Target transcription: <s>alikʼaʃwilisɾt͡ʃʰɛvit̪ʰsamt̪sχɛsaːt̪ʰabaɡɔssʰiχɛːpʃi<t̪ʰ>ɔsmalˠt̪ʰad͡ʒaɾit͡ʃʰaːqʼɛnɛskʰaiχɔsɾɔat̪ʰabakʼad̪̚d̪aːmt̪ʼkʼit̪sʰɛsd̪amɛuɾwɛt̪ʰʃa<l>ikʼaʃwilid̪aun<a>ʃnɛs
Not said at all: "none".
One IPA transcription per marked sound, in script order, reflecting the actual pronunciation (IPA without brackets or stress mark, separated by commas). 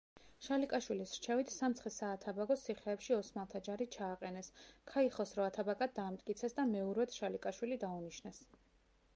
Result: ʃ, none, l, i